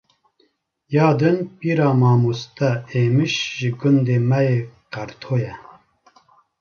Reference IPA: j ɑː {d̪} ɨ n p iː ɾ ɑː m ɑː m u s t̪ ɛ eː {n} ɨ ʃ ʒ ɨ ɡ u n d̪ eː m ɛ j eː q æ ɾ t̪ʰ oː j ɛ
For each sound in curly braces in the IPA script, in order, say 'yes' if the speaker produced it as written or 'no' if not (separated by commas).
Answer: yes, no